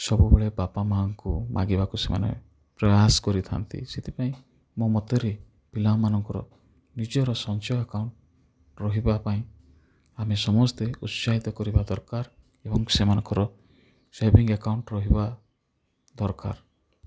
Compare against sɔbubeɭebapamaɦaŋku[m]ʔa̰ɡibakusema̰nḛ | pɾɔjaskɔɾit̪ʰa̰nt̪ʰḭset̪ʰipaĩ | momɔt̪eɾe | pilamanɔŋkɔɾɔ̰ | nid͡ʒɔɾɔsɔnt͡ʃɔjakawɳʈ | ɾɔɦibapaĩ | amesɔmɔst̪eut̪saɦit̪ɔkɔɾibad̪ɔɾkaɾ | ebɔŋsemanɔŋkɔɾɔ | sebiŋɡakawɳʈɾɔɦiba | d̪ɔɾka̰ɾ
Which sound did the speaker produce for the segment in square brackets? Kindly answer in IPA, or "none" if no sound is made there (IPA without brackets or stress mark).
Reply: m